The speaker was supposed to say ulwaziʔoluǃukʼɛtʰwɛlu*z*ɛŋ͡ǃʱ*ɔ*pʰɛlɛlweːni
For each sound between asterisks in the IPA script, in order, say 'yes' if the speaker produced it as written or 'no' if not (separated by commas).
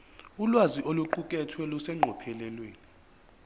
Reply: no, yes